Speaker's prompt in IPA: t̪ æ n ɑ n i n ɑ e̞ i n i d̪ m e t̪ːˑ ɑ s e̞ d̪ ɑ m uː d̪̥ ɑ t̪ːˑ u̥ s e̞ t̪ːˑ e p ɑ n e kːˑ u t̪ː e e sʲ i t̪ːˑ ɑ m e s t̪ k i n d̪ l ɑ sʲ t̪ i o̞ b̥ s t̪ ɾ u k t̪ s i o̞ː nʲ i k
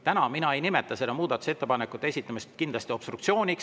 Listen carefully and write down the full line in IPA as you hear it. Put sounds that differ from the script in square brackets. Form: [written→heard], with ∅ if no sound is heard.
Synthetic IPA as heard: t̪ æ n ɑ [n→m] i n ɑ e̞ [i→j] n i [d̪→∅] m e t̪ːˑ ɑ s e̞ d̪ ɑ m uː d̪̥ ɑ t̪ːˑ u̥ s e̞ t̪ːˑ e p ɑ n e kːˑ u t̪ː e e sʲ i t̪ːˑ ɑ m [e→i] s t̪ k i n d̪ l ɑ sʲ t̪ i o̞ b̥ s t̪ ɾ u k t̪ s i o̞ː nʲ i k